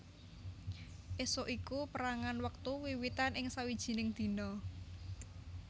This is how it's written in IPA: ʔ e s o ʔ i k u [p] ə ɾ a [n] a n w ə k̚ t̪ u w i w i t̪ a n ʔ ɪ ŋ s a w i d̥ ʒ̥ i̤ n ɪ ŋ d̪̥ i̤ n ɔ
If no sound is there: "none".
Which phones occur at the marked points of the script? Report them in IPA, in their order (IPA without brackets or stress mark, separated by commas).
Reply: p, ŋ